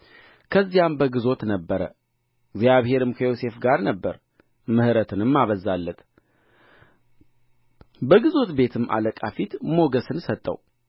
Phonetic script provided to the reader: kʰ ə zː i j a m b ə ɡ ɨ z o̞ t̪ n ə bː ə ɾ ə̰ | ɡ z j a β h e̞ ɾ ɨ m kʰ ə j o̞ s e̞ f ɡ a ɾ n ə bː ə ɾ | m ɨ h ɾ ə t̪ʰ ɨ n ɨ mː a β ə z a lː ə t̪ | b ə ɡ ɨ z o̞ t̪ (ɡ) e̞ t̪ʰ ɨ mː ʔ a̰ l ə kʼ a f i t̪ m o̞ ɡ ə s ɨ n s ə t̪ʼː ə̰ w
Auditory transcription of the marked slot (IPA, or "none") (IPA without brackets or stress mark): b